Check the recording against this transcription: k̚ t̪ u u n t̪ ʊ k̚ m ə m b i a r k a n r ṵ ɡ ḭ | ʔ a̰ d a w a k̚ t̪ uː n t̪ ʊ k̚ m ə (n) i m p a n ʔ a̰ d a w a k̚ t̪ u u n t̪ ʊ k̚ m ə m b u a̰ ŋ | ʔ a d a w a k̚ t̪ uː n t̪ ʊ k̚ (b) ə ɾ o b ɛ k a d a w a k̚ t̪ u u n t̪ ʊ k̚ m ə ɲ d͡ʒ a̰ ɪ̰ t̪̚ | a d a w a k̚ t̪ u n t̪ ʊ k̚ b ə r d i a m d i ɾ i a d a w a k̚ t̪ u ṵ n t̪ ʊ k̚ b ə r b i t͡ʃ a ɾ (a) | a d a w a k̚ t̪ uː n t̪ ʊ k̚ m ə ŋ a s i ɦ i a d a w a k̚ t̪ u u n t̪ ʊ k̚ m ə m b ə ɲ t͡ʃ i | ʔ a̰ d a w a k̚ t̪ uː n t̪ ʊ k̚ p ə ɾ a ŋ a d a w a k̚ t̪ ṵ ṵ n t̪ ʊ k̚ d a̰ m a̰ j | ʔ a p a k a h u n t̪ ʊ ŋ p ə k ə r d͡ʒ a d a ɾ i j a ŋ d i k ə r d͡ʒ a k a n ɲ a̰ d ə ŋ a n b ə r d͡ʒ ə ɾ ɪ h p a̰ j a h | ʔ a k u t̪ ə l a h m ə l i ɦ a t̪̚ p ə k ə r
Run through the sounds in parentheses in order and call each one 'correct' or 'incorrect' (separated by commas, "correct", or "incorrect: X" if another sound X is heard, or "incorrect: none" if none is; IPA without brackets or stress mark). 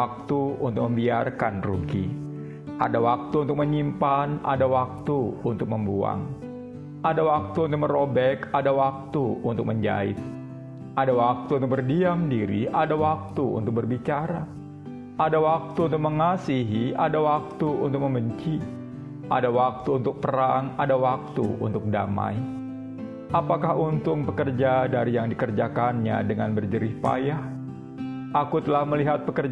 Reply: incorrect: ɲ, incorrect: m, correct